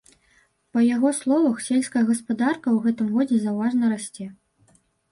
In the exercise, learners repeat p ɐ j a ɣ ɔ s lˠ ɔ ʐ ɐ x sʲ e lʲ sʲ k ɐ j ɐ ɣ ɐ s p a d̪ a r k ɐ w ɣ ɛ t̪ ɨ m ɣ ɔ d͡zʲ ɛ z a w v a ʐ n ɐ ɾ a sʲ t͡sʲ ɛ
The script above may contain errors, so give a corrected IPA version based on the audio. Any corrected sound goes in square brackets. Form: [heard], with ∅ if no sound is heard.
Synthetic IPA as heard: p ɐ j a ɣ ɔ s lˠ ɔ [v] ɐ x sʲ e lʲ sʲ k ɐ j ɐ ɣ ɐ s p a d̪ a r k ɐ w ɣ ɛ t̪ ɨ m ɣ ɔ d͡zʲ ɛ z a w v a ʐ n ɐ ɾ a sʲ t͡sʲ ɛ